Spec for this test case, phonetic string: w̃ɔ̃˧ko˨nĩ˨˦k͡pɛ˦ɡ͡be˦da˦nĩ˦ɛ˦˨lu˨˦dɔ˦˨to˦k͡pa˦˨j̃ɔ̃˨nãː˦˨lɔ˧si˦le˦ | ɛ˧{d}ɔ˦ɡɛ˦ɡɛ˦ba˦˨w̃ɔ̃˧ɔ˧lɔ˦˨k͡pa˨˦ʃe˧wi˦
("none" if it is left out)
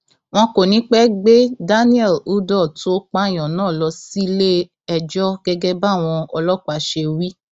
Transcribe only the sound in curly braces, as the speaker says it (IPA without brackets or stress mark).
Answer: d͡ʒ